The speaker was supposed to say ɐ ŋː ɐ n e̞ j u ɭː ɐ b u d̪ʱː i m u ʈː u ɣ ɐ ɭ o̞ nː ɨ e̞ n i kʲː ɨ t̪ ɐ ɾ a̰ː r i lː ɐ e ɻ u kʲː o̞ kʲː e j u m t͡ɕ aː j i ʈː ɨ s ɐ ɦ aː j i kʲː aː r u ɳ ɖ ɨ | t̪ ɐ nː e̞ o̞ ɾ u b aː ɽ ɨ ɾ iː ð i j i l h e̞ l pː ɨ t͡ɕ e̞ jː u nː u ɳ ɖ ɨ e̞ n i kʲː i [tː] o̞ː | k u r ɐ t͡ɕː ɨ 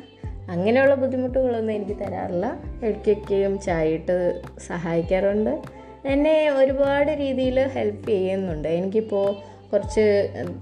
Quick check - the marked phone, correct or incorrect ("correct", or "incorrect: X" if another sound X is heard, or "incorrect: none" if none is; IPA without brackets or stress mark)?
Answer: incorrect: pː